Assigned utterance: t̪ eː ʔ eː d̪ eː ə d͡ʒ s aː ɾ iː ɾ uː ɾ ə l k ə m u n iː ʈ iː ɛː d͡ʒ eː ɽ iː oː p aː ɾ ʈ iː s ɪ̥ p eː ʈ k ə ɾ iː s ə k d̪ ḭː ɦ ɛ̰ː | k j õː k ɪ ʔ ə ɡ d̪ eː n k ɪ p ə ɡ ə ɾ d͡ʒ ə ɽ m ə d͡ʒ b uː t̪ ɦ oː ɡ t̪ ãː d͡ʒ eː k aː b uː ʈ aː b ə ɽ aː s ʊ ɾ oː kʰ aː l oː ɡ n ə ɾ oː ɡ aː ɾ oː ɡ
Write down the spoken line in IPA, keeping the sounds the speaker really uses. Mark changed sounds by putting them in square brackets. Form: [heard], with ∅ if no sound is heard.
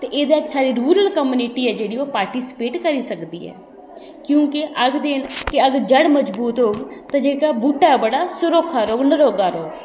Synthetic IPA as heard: t̪ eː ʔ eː d̪ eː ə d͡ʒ s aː ɾ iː ɾ uː ɾ ə l k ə m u n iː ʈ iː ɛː d͡ʒ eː ɽ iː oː p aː ɾ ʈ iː s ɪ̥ p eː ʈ k ə ɾ iː s ə k d̪ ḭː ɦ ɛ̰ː | k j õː k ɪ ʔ ə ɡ d̪ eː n k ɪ [∅] ə ɡ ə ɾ d͡ʒ ə ɽ m ə d͡ʒ b uː t̪ ɦ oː ɡ t̪ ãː d͡ʒ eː k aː b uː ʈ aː b ə ɽ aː s ʊ ɾ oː kʰ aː [ɾ] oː ɡ n ə ɾ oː ɡ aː ɾ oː ɡ

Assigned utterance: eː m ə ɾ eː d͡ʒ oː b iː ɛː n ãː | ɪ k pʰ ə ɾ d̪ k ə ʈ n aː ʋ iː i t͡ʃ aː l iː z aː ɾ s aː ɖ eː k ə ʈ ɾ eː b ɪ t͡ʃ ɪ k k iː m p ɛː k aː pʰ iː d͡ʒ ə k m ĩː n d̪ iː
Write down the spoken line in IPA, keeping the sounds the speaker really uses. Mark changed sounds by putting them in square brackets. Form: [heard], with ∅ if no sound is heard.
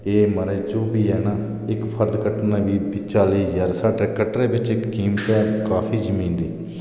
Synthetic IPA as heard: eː m ə ɾ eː d͡ʒ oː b iː ɛː n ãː | ɪ k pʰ ə ɾ d̪ k ə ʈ n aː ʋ iː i t͡ʃ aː l iː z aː ɾ s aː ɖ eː k ə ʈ ɾ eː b ɪ t͡ʃ ɪ k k iː m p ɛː k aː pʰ iː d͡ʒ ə [∅] m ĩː n d̪ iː

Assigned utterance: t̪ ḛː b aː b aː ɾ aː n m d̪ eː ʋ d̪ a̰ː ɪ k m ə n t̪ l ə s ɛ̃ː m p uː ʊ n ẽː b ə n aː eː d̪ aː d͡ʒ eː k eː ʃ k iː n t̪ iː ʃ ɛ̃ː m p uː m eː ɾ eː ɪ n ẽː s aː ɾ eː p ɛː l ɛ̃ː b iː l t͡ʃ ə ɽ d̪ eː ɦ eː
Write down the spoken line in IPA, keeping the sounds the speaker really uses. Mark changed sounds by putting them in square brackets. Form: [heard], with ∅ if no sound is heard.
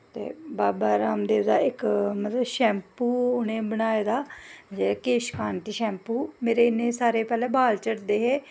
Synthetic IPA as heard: t̪ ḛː b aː b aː ɾ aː [∅] m d̪ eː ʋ d̪ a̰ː ɪ k m ə [∅] t̪ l ə [ʃ] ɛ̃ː m p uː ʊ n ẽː b ə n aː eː d̪ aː d͡ʒ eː k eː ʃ k [aː] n t̪ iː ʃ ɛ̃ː m p uː m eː ɾ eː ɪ n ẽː s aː ɾ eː p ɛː l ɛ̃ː b [aː] l t͡ʃ ə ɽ d̪ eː ɦ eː

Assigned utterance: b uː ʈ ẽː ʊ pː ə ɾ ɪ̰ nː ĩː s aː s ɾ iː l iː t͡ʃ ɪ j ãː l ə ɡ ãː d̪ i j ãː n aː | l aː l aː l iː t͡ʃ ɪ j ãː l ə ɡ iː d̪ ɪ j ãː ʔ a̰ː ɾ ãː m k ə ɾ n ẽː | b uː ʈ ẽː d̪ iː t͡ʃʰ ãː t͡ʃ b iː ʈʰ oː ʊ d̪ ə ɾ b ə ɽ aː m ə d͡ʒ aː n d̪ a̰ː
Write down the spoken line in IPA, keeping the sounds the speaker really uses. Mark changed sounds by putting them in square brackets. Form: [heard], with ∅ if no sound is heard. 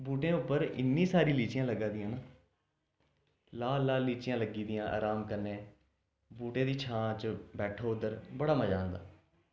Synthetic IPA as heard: b uː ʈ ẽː ʊ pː ə ɾ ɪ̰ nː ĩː s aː [∅] ɾ iː l iː t͡ʃ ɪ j ãː l ə ɡ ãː d̪ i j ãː n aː | l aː l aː l iː t͡ʃ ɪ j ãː l ə ɡ iː d̪ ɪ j ãː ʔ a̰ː ɾ [aː] m k ə ɾ n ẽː | b uː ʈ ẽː d̪ iː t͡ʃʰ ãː t͡ʃ b [ɛː] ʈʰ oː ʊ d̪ ə ɾ b ə ɽ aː m ə d͡ʒ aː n d̪ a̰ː

